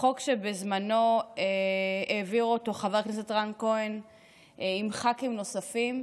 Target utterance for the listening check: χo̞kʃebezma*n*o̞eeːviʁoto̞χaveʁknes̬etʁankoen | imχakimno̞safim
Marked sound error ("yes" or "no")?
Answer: no